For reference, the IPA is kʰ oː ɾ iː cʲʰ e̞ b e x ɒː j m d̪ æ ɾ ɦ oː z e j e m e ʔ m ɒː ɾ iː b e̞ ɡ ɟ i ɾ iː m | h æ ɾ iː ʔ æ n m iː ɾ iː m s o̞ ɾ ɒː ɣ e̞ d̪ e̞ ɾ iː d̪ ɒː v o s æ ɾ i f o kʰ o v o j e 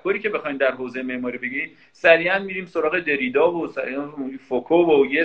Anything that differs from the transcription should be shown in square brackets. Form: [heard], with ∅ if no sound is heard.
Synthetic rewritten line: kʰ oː ɾ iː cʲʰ e̞ b e x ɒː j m d̪ æ ɾ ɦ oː z e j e m e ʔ m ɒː ɾ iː b e̞ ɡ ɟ i ɾ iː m | [s] æ ɾ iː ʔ æ n m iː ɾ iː m s o̞ ɾ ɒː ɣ e̞ d̪ e̞ ɾ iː d̪ ɒː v o s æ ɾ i f o kʰ o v o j e